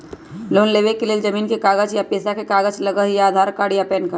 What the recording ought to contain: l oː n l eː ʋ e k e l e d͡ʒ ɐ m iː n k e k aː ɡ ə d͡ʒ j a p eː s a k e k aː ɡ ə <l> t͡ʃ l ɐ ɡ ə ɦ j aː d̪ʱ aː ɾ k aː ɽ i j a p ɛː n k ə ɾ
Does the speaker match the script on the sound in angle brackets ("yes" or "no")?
no